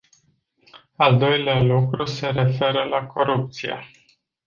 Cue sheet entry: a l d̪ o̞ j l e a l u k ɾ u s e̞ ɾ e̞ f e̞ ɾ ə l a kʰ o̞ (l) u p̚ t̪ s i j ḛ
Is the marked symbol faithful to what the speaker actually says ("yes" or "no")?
no